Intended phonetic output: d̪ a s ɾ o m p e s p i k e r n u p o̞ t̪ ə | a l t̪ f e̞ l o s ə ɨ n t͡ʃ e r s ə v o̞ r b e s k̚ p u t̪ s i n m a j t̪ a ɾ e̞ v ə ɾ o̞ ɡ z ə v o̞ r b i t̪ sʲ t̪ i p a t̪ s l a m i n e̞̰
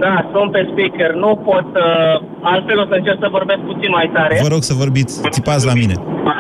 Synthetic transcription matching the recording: d̪ a s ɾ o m p e s p i k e r n u p o̞ t̪ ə | a l t̪ f e̞ l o s ə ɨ n t͡ʃ e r s ə v o̞ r b e s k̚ p u t̪ s i n m a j t̪ a ɾ e̞ v ə ɾ o̞ ɡ s ə v o̞ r b i t̪ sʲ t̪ i p a t̪ s l a m i n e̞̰